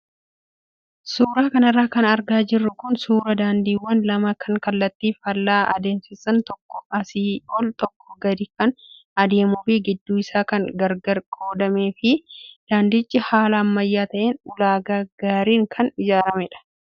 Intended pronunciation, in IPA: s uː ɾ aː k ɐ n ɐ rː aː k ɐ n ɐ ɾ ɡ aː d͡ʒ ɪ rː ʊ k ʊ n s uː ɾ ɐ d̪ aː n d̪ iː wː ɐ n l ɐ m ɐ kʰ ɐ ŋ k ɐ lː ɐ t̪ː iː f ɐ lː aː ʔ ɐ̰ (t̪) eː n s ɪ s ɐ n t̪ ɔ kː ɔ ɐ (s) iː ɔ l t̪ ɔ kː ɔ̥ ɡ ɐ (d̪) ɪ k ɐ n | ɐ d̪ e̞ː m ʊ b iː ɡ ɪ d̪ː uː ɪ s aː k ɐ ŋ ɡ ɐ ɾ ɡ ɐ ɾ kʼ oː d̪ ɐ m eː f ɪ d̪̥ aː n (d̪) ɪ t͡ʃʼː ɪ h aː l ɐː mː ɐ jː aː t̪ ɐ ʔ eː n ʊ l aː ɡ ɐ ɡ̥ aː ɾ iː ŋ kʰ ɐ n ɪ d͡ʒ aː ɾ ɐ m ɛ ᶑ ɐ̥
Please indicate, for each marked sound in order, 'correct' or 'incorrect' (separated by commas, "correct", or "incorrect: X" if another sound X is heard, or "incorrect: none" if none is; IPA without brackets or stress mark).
incorrect: d̪, correct, correct, correct